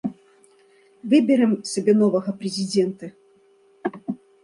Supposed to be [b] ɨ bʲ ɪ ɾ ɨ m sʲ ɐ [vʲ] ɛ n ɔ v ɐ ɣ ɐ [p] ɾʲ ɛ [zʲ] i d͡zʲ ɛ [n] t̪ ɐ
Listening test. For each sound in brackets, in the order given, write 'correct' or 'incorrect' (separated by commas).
incorrect, incorrect, correct, correct, correct